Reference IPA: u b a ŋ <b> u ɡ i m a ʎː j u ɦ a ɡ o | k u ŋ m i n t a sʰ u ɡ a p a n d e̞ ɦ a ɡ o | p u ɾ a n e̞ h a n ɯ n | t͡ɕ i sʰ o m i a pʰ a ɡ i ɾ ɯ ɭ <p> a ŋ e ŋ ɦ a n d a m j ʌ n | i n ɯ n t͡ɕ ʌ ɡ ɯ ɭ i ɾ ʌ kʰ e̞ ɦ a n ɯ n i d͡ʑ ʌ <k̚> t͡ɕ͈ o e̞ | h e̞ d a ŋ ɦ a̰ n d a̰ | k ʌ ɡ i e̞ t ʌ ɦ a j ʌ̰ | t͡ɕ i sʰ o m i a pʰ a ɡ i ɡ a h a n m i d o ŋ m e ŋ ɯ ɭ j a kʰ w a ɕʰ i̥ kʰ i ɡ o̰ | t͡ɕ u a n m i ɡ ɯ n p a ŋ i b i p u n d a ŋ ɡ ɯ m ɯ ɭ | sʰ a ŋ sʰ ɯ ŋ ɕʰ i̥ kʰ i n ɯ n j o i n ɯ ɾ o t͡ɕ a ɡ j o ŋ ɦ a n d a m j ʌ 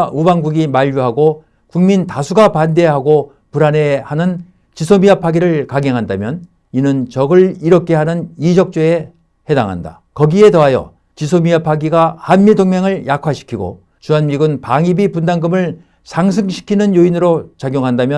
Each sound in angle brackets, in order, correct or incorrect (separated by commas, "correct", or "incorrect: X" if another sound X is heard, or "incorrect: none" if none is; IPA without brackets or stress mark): incorrect: ɡ, incorrect: k, correct